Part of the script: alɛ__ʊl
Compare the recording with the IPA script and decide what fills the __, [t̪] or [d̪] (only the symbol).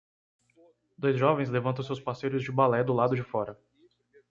d̪